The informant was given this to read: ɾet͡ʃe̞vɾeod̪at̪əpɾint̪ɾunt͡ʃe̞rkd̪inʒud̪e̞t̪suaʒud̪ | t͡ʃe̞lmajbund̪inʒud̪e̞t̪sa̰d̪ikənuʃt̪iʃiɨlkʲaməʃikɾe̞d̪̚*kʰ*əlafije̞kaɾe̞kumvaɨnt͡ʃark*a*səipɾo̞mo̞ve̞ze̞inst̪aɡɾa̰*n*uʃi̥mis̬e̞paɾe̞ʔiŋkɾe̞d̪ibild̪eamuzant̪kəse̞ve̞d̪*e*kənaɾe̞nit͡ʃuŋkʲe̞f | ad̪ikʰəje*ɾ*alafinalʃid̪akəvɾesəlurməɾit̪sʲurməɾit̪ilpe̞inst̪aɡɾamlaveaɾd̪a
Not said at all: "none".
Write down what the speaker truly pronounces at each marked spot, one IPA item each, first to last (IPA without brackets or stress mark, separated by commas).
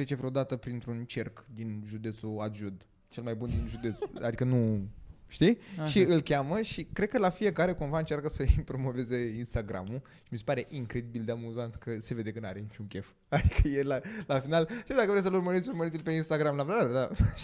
k, ə, m, e, l